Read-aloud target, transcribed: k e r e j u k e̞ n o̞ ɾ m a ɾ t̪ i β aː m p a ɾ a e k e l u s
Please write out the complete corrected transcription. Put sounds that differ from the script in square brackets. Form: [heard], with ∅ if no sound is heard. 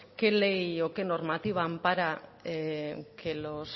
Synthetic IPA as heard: k e [l] e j [o] k e̞ n o̞ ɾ m a [∅] t̪ i β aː m p a ɾ a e k e l [o] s